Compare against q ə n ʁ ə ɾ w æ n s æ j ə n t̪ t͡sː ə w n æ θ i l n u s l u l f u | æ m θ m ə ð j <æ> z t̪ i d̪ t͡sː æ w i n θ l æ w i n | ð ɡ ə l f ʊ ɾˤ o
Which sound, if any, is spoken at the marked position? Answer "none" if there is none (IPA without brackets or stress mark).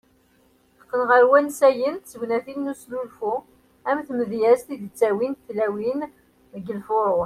æ